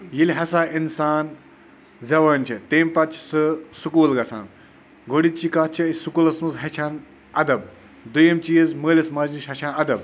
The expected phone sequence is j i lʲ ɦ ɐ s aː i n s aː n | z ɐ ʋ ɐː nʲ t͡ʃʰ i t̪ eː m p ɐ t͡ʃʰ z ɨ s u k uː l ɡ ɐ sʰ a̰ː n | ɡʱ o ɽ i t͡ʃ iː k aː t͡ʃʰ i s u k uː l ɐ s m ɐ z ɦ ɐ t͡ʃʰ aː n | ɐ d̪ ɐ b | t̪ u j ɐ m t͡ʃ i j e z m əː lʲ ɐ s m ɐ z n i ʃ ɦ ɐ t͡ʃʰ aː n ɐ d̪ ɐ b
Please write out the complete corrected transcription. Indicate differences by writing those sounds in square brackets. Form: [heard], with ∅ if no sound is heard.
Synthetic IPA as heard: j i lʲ ɦ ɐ s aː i n s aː n | z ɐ ʋ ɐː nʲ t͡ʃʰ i t̪ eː m p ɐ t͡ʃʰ [s] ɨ s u k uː l ɡ ɐ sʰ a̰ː n | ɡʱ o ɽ i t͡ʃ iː k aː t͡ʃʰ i s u k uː l ɐ s m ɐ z ɦ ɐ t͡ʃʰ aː n | ɐ d̪ ɐ b | [d̪] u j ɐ m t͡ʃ i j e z m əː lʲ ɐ s m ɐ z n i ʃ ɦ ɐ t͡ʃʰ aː n ɐ d̪ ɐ b